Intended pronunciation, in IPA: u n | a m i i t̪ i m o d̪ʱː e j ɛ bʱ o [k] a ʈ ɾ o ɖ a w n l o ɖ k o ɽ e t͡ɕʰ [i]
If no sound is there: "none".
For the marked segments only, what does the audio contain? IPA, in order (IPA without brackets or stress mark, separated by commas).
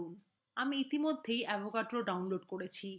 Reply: k, i